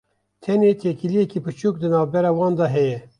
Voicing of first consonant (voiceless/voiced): voiceless